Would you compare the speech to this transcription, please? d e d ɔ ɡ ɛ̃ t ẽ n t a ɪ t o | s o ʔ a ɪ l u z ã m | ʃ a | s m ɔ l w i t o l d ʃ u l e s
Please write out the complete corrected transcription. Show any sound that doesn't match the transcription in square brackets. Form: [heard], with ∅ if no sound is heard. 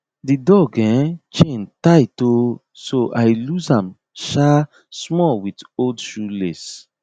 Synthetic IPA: d [i] d ɔ ɡ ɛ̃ [t͡ʃ] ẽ n t a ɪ t o | s o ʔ a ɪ l u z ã m | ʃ a | s m ɔ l w i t o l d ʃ u l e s

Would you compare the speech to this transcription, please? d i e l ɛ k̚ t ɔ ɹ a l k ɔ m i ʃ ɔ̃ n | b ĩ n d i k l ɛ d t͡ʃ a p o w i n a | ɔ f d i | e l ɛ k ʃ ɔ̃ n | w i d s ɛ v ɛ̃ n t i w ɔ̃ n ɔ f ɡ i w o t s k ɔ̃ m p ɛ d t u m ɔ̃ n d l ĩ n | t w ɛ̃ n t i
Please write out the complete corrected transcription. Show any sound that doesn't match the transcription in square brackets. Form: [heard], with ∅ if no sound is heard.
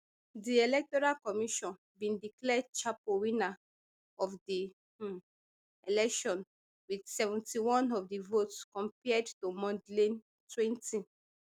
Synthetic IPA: d i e l ɛ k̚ t ɔ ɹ a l k ɔ m i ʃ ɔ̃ n | b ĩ n d i k l ɛ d t͡ʃ a p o w i n a | ɔ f d i | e l ɛ k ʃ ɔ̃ n | w i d s ɛ v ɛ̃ n t i w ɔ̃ n ɔ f [d] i [v] o t s k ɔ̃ m p ɛ d t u m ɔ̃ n d l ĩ n | t w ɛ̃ n t i

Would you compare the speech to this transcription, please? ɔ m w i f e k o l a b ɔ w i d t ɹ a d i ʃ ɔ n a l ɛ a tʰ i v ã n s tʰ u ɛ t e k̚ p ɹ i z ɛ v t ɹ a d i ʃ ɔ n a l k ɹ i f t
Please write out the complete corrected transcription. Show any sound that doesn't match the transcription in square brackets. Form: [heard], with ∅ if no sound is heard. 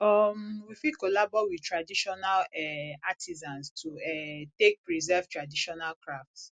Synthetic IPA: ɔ m w i f [i] k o l a b ɔ w i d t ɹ a d i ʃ ɔ n a l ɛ a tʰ i [z] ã n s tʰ u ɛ t e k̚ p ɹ i z ɛ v t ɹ a d i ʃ ɔ n a l k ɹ [a] f t

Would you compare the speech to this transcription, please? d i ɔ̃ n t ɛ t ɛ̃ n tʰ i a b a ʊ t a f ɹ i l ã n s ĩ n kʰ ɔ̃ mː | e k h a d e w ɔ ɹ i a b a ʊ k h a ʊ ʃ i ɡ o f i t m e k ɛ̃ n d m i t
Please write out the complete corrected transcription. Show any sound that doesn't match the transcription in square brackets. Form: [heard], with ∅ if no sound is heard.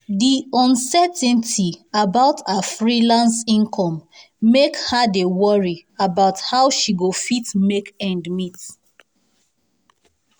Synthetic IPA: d i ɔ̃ n [s] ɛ t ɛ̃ n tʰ i a b a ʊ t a f ɹ i l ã n s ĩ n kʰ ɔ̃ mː | e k h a d e w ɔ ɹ i a b a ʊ [t] h a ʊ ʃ i ɡ o f i t m e k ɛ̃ n d m i t

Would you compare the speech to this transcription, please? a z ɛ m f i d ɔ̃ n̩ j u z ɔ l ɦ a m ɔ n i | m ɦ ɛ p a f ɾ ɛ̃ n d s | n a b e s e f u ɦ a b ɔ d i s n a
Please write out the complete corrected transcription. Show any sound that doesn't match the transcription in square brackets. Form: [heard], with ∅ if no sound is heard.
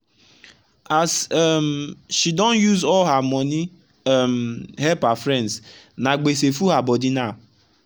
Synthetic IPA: a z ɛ m [ʃ] i d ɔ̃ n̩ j u z ɔ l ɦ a m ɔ n i | m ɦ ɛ p a f ɾ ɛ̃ n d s | n a [ɡ͡b] e s e f u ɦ a b ɔ d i [∅] n a

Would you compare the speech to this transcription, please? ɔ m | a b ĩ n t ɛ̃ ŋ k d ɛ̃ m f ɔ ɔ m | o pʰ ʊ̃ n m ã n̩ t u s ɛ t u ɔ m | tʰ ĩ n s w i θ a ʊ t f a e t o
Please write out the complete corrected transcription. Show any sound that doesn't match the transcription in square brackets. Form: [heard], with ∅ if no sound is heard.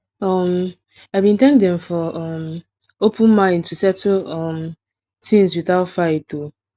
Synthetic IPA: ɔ m | a b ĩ n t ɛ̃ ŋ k d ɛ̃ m f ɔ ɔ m | o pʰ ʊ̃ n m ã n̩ t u s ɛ t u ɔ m | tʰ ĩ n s w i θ a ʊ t f a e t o

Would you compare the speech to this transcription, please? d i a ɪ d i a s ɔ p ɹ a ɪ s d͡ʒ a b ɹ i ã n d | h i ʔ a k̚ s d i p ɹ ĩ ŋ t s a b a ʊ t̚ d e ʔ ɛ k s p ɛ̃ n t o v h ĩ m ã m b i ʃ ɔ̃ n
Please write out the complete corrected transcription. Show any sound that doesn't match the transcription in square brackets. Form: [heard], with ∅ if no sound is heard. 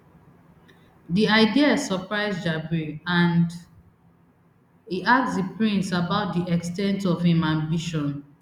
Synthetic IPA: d i a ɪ d i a s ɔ p ɹ a ɪ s d͡ʒ a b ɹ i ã n d | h i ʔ a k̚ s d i p ɹ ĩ [n] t s a b a ʊ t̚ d [i] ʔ ɛ k s [t] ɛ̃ n t [ɔ] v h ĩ m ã m b i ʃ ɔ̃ n

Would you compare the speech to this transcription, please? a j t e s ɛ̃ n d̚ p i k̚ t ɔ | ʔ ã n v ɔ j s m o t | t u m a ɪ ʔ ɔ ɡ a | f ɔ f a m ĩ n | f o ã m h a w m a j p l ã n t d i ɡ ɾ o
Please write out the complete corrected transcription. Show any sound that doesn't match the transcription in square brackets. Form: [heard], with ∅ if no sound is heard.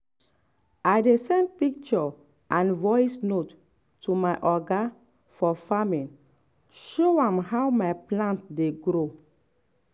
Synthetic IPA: a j [d] e s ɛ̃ n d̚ p i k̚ [t͡ʃ] ɔ | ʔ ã n v ɔ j s [n] o t | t u m a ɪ ʔ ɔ ɡ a | f ɔ f a m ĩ n | [ʃ] o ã m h a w m a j p l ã n t d [e] ɡ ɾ o

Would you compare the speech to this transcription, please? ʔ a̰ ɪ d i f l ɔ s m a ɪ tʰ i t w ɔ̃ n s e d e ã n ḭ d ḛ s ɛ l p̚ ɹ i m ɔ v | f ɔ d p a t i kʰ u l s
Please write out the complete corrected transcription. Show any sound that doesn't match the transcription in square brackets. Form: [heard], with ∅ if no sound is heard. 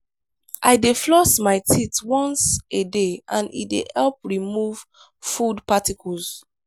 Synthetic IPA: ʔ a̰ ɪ d [e] f l ɔ s m a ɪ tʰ i t w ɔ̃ n s e d e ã n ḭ d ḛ [h] ɛ l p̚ ɹ i m [u] v | f [u] d p a t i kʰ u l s

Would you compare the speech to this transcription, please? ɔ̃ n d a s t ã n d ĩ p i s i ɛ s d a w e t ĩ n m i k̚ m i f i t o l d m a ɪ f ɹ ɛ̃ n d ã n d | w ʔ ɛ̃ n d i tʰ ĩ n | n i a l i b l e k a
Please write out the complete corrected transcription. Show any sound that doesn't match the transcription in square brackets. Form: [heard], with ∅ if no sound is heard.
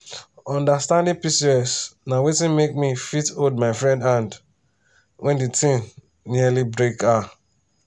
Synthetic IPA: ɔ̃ n d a s t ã n d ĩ p i s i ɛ s [n] a w e t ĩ n m [e] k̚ m i f i t o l d m a ɪ f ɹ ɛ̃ n d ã n d | w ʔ ɛ̃ n d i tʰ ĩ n | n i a l i b [ɹ] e k a

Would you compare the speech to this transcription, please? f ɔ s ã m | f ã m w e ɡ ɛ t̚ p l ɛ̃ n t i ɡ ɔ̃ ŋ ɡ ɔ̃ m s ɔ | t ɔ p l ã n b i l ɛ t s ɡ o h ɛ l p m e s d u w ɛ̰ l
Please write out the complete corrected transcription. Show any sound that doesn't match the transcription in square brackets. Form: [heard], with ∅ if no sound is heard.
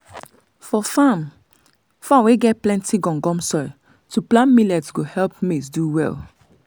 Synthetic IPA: f ɔ [f] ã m | f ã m w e ɡ ɛ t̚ p l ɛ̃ n t i ɡ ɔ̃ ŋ ɡ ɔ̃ m s ɔ | t [u] p l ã n [m] i l ɛ t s ɡ o h ɛ l p m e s d u w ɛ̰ l

